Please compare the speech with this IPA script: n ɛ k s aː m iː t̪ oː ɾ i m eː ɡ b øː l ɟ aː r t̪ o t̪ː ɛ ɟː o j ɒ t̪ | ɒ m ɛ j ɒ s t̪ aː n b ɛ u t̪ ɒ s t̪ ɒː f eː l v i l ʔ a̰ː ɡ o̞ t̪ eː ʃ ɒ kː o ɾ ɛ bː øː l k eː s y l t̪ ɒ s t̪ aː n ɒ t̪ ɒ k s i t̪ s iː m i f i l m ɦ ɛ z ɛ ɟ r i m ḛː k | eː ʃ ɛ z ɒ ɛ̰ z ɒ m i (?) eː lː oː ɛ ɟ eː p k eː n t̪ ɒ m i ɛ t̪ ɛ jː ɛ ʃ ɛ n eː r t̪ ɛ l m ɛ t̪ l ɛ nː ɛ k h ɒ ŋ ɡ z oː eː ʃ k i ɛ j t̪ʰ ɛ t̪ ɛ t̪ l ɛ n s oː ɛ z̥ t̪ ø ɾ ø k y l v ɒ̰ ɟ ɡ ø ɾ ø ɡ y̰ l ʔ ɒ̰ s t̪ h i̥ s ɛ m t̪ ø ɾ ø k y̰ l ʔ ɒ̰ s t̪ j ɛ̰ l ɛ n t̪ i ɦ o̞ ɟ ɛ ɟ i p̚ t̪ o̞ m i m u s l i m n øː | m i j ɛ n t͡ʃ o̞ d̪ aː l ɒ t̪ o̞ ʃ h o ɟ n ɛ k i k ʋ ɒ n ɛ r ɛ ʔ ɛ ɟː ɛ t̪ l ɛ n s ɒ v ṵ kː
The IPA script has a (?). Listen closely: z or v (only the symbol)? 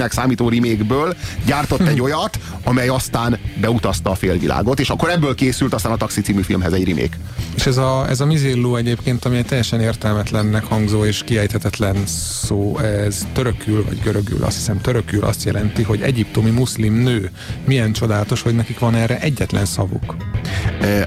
z